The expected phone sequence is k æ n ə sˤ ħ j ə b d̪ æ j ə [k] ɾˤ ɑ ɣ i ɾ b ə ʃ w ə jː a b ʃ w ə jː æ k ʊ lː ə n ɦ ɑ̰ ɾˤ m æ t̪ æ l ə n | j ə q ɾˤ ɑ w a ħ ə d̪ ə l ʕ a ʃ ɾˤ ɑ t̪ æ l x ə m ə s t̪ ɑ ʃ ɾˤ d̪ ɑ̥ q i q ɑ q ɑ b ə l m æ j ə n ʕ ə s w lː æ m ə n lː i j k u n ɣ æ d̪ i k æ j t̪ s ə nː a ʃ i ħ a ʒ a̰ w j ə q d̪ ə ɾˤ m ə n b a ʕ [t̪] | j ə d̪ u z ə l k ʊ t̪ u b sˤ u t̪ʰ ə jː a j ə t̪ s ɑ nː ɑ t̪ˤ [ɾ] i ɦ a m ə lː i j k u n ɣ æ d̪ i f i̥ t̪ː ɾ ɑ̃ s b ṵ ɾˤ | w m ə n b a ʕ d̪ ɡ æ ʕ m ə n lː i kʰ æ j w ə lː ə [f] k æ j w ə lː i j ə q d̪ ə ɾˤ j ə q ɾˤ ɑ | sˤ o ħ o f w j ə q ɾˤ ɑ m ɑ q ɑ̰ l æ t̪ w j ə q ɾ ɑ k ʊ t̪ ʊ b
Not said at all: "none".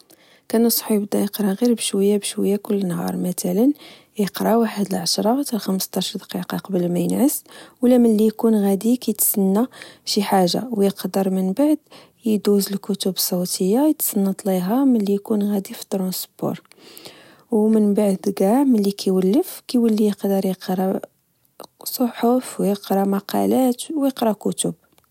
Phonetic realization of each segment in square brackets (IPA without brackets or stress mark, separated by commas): q, d̪, l, f